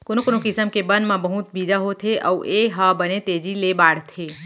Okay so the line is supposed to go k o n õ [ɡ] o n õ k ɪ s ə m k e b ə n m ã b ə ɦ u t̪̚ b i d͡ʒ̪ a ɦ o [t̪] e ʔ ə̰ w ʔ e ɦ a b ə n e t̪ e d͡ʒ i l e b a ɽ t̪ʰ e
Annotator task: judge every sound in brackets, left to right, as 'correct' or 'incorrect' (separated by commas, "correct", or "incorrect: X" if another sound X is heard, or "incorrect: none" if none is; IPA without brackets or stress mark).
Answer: incorrect: k, incorrect: t̪ʰ